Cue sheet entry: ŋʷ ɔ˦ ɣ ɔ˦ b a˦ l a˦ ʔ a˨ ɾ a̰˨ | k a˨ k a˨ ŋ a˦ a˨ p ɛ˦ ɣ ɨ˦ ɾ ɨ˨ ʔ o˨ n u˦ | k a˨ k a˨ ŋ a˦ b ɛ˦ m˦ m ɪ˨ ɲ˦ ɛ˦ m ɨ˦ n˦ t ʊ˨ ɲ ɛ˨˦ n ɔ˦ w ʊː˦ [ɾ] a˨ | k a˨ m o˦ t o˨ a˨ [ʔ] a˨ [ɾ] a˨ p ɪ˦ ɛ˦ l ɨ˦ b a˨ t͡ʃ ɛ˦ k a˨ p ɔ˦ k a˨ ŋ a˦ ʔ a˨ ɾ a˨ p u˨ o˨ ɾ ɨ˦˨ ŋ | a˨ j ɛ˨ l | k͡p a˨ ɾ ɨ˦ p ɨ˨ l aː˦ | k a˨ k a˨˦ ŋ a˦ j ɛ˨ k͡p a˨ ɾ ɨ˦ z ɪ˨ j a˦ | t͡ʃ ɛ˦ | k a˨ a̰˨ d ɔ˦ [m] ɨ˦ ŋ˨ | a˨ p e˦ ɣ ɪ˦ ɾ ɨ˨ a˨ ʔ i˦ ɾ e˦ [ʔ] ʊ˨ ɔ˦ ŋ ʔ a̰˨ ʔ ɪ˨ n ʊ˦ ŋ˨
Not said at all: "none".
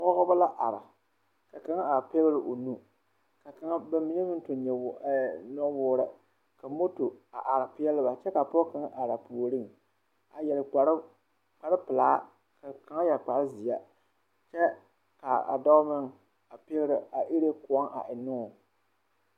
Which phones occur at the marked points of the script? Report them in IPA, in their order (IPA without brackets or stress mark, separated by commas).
ɾ, ʔ, ɾ, m, k